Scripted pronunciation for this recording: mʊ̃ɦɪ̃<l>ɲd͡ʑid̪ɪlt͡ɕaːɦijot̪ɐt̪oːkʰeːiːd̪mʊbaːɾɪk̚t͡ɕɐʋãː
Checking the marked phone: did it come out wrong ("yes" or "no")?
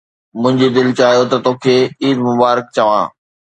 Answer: yes